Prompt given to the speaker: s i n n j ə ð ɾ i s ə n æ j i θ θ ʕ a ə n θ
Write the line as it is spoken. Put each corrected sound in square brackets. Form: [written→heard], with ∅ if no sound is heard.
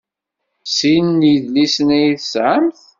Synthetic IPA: s i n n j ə ð [ɾ→l] i s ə n æ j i θ [θ→s] ʕ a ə [n→m] θ